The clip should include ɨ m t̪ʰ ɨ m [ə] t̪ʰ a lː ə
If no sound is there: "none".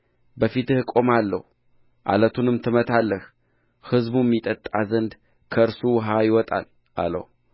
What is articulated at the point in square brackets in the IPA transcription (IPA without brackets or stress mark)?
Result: ə